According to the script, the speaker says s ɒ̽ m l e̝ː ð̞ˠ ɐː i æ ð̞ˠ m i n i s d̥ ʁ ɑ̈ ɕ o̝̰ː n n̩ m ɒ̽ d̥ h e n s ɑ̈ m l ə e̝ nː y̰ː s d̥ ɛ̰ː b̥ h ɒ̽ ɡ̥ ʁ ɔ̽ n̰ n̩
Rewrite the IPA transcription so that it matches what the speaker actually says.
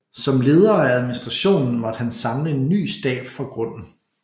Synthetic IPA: s ɒ̽ m l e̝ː ð̞ˠ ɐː æ æ ð̞ˠ m i n i s d̥ ʁ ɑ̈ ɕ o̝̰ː n n̩ m ɒ̽ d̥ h æ n s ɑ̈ m l ə e̝ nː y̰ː s d̥ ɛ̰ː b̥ f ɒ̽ ɡ̥ ʁ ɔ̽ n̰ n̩